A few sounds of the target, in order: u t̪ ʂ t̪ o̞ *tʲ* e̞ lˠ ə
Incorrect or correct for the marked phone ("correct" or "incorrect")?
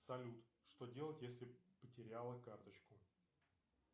incorrect